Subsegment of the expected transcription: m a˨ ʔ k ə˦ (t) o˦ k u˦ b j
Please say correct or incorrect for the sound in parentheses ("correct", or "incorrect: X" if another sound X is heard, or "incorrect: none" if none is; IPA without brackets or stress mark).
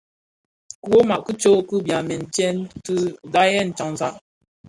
incorrect: t͡ʃ